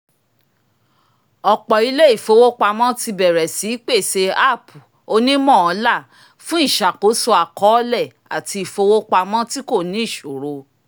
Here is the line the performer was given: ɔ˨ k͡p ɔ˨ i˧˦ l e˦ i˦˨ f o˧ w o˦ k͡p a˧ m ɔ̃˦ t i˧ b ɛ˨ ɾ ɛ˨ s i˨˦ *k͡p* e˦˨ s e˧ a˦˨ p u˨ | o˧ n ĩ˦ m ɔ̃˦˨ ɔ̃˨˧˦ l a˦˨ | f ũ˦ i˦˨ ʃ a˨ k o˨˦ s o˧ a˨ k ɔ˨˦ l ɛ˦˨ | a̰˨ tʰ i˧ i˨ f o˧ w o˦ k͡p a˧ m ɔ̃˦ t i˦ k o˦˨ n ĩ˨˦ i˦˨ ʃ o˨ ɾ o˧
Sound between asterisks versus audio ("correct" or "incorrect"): correct